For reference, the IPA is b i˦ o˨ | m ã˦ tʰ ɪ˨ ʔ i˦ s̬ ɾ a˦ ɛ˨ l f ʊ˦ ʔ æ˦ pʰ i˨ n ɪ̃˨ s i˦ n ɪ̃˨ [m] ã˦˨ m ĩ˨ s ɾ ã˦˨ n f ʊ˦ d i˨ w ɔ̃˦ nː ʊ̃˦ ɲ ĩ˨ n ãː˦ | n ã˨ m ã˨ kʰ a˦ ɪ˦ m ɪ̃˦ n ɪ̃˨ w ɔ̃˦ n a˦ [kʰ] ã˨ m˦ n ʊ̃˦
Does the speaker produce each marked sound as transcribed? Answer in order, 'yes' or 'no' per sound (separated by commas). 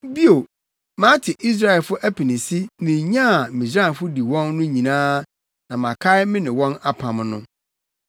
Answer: no, no